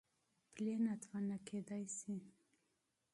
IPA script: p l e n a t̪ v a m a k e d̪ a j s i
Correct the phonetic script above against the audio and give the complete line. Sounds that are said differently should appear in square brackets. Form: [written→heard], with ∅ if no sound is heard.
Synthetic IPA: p l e n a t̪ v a [m→n] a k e d̪ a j s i